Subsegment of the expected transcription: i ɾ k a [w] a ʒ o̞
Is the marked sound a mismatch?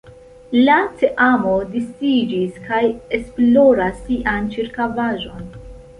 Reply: yes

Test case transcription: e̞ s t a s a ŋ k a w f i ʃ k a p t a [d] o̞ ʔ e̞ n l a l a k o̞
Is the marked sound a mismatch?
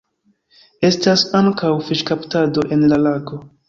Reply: no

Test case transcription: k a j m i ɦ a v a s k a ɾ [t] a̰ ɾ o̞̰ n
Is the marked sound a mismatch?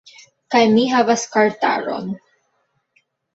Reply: no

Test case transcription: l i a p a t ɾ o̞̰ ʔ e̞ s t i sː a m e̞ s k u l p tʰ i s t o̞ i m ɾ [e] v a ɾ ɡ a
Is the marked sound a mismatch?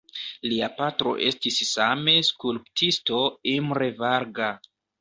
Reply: no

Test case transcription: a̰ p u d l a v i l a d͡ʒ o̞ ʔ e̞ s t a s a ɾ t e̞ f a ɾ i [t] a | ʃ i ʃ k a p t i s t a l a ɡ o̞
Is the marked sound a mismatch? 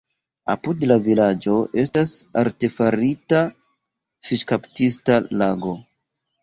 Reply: no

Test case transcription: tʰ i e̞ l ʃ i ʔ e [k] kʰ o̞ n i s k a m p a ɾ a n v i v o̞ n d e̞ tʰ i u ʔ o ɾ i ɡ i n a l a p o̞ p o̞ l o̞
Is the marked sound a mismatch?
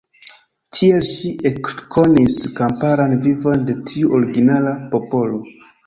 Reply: no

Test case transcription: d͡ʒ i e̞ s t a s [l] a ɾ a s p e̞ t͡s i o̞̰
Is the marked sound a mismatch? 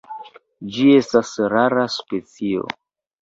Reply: yes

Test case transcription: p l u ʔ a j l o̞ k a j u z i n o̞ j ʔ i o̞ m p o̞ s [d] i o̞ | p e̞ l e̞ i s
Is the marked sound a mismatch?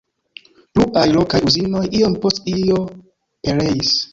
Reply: yes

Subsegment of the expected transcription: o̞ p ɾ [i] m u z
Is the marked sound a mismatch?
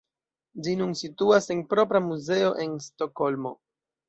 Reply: yes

